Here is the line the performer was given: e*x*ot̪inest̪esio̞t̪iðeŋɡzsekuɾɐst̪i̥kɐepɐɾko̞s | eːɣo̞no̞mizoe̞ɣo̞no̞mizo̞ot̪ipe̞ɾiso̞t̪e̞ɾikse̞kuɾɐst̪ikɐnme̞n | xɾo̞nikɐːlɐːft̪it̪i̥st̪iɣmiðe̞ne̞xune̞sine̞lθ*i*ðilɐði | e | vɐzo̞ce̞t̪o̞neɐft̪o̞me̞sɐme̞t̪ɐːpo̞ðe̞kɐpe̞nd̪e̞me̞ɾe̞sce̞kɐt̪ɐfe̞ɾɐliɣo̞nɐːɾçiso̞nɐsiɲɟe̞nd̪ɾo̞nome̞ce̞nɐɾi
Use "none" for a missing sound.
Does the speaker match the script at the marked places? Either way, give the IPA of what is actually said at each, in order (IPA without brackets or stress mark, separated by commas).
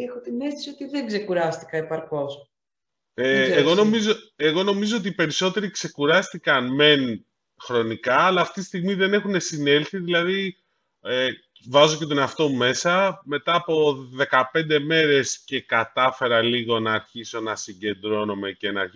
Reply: x, i